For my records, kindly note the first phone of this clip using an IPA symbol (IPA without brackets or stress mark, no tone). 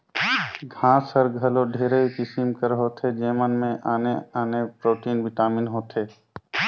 ɡʱ